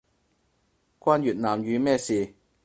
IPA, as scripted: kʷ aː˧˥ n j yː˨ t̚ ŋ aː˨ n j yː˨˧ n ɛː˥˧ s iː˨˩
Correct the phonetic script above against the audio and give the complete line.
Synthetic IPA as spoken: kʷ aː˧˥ n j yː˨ t̚ n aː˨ m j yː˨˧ m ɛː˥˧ s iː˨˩